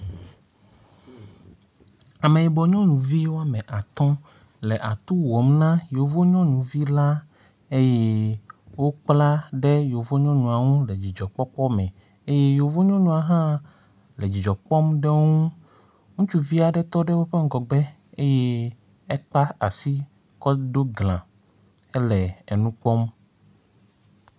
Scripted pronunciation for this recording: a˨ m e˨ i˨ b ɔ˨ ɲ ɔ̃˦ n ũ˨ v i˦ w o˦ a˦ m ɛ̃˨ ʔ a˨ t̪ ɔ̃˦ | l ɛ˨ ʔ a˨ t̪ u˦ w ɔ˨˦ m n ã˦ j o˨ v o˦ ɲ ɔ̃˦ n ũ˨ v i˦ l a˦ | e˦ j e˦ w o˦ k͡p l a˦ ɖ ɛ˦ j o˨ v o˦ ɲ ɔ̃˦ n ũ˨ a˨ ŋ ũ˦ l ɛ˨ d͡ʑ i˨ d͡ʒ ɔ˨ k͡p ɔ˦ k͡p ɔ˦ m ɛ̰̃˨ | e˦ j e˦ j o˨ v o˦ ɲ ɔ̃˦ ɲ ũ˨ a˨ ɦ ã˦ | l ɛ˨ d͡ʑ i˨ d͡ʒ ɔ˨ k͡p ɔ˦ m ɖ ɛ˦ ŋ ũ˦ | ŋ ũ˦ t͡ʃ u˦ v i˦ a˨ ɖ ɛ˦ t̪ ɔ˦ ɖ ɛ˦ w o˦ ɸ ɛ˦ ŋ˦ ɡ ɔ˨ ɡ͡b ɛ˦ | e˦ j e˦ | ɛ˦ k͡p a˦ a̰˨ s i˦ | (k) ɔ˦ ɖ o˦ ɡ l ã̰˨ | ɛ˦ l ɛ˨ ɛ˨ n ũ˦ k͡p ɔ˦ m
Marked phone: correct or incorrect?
correct